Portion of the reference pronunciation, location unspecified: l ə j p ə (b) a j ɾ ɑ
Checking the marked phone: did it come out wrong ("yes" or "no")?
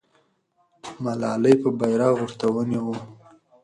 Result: no